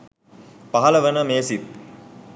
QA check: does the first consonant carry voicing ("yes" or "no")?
no